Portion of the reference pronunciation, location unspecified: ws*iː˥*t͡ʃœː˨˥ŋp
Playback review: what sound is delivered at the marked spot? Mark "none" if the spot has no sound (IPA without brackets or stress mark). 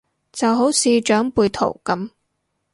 iː˧